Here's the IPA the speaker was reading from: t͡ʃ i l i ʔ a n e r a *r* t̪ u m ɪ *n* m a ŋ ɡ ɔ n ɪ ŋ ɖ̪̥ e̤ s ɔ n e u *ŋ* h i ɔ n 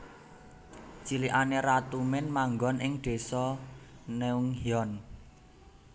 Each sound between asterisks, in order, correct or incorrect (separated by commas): incorrect, correct, correct